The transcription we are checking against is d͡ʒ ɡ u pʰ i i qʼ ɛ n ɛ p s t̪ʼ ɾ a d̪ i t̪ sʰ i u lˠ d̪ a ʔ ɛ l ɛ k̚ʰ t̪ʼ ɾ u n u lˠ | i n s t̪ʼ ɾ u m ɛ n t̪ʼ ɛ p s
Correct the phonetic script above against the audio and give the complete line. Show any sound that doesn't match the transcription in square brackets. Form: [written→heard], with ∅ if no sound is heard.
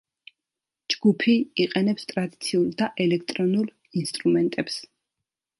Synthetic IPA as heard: d͡ʒ ɡ u pʰ i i qʼ ɛ n ɛ p s t̪ʼ ɾ a d̪ i t̪ sʰ i u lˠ d̪ a ʔ ɛ l ɛ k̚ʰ t̪ʼ ɾ [u→ɔ] n u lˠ | i n s t̪ʼ ɾ u m ɛ n t̪ʼ ɛ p s